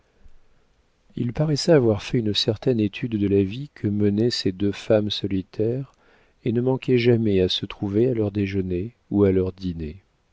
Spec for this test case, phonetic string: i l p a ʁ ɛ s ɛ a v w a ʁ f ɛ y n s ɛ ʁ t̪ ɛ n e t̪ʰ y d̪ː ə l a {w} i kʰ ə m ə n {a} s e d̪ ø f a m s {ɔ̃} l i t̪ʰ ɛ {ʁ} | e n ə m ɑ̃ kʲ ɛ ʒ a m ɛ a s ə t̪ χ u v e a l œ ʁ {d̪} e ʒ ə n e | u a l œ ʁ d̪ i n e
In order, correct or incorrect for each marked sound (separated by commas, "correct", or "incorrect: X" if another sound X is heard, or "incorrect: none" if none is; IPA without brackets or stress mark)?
incorrect: v, incorrect: ɛ, incorrect: ɔ, correct, correct